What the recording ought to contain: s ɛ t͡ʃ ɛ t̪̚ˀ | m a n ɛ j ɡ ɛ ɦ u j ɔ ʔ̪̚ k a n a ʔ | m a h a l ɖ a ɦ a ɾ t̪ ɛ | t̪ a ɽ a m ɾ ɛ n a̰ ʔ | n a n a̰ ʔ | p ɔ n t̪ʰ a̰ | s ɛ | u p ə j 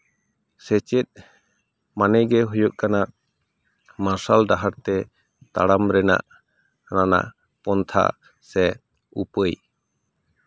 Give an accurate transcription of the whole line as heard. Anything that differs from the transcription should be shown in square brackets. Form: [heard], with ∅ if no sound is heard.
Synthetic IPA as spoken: s ɛ t͡ʃ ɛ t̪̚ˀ | m a n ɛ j ɡ ɛ ɦ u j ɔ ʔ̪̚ k a n a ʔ | m a [s] a l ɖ a ɦ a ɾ t̪ ɛ | t̪ a ɽ a m ɾ ɛ n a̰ ʔ | n a n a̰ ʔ | p ɔ n t̪ʰ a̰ | s ɛ | u p ə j

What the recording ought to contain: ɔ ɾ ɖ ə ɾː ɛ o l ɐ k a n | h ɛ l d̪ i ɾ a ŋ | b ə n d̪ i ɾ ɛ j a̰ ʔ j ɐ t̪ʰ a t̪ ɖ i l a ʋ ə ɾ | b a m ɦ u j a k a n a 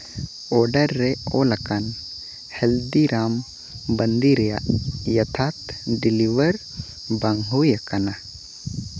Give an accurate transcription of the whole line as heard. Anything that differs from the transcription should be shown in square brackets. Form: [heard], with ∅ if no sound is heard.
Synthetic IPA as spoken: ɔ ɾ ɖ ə ɾː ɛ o l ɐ k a n | h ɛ l d̪ i ɾ a [m] | b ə n d̪ i ɾ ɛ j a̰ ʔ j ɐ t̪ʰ a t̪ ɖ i l [i] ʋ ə ɾ | b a [ŋ] ɦ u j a k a n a

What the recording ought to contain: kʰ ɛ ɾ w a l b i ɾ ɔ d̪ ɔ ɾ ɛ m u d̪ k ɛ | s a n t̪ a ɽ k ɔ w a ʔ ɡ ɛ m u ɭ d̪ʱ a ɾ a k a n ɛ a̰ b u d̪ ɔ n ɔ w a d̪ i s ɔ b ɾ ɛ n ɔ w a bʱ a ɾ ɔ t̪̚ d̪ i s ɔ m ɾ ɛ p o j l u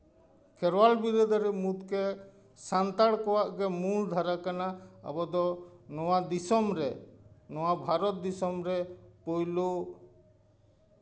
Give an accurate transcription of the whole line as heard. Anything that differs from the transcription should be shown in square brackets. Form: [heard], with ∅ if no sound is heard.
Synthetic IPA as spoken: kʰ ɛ ɾ w a l b i ɾ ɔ d̪ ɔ ɾ ɛ m u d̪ k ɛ | s a n t̪ a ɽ k ɔ w a ʔ ɡ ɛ m u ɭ d̪ʱ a ɾ a k a n [a] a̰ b [ɔ] d̪ ɔ n ɔ w a d̪ i s ɔ [m] ɾ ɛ n ɔ w a bʱ a ɾ ɔ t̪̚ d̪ i s ɔ m ɾ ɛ p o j l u

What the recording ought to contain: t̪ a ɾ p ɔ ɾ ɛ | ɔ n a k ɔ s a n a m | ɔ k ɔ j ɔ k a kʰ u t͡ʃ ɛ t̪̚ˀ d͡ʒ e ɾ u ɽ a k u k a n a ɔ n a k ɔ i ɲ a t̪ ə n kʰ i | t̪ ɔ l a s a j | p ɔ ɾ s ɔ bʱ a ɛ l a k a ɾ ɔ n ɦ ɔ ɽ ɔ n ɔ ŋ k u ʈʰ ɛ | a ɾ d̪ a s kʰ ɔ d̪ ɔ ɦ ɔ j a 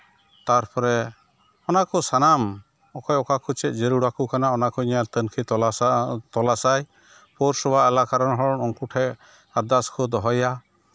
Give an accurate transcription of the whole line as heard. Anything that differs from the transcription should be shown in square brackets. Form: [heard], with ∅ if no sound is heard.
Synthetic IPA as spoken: t̪ a ɾ p ɔ ɾ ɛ | ɔ n a k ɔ s a n a m | ɔ k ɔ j ɔ k a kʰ u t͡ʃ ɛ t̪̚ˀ d͡ʒ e ɾ u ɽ a k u k a n a ɔ n a k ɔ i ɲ a t̪ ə n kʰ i | t̪ ɔ l a s a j | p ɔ ɾ s ɔ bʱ a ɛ l a k a ɾ ɔ n ɦ ɔ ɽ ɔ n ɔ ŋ k u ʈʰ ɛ | a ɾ d̪ a s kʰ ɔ d̪ ɔ ɦ ɔ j a

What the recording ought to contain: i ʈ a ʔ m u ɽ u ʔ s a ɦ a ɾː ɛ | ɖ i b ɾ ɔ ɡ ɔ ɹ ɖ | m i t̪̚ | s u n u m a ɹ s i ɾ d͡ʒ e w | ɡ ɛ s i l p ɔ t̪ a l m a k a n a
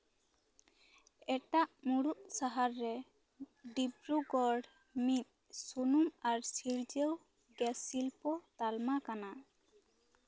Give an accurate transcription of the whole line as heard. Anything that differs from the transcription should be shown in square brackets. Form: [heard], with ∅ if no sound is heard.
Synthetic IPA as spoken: [ɛ] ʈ a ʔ m u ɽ u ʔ s a ɦ a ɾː ɛ | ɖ i b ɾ [u] ɡ ɔ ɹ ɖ | m i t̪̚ | s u n u m a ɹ s i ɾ d͡ʒ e w | ɡ ɛ s i l p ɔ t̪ a l m a k a n a

